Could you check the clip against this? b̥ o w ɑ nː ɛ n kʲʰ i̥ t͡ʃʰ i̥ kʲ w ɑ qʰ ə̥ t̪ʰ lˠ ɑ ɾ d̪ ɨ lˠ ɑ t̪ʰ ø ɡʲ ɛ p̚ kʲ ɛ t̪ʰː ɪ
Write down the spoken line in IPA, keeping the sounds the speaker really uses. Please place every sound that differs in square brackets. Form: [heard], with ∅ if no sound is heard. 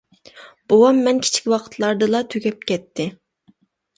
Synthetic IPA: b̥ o w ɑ [mː] ɛ n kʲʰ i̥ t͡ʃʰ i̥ kʲ w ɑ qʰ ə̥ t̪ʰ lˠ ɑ ɾ d̪ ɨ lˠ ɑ t̪ʰ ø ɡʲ ɛ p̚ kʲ ɛ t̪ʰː ɪ